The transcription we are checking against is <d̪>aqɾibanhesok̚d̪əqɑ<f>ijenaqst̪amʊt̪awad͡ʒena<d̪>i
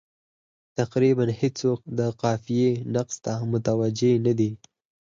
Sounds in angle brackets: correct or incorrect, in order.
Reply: incorrect: t̪, correct, correct

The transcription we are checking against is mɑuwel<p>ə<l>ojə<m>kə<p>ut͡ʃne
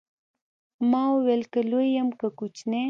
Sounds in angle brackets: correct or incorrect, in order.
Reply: incorrect: k, correct, correct, incorrect: k

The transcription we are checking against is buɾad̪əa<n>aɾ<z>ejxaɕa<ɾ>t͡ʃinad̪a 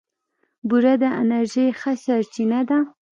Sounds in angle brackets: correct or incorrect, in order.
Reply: correct, incorrect: ʒ, correct

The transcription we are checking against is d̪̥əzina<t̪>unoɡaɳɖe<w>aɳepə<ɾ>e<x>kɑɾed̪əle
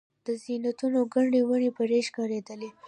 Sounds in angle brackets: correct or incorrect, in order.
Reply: correct, correct, correct, incorrect: ʃ

